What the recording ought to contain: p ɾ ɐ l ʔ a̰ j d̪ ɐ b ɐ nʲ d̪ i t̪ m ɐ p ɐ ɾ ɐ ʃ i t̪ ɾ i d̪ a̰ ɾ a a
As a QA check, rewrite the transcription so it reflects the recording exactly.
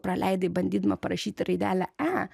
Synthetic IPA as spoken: p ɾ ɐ l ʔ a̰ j d̪ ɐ b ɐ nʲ d̪ i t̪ m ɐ p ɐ ɾ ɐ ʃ i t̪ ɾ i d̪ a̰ l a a